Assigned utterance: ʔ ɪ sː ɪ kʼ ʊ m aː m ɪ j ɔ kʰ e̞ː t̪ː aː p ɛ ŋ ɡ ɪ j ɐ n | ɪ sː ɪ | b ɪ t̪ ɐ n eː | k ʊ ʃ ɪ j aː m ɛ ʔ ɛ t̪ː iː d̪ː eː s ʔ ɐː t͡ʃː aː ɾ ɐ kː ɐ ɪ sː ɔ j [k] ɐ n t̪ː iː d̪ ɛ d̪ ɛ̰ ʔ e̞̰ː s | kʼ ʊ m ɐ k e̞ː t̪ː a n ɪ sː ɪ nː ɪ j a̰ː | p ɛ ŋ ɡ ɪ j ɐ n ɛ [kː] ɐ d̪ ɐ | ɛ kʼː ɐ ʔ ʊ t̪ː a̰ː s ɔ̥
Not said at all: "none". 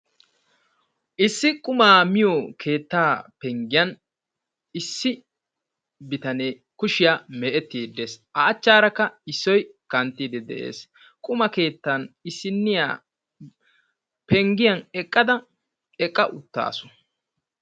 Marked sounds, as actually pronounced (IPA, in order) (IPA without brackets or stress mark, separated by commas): k, kʼː